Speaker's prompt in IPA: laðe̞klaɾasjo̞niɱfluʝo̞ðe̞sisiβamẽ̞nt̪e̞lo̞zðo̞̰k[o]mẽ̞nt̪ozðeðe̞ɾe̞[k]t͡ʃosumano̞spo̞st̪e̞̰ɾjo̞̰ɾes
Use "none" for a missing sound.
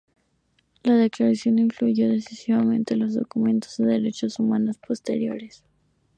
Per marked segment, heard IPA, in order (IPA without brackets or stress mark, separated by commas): u, none